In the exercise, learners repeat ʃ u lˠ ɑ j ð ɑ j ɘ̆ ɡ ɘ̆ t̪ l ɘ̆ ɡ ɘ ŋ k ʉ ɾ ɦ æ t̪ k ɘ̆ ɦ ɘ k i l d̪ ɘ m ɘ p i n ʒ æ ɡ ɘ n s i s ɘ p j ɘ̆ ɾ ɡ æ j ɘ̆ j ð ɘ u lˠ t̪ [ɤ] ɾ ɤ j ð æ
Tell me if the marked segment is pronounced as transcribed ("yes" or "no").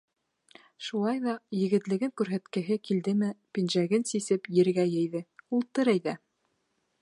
yes